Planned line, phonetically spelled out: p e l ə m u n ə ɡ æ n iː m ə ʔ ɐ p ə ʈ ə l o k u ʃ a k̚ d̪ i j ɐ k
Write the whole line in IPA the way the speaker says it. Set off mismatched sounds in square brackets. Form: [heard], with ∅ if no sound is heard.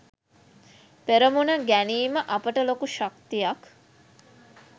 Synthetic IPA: p e [ɾ] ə m u n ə ɡ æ n iː m ə ʔ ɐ p ə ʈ ə l o k u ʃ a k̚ [t̪] i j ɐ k